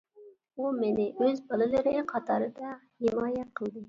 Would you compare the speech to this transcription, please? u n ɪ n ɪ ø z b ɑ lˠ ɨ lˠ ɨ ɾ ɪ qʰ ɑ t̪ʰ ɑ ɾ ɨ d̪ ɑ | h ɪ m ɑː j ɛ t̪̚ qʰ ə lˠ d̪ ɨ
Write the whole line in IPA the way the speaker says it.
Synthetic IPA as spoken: u m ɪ n ɪ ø z b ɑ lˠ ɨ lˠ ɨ ɾ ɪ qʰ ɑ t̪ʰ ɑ ɾ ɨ d̪ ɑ | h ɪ m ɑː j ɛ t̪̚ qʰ ə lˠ d̪ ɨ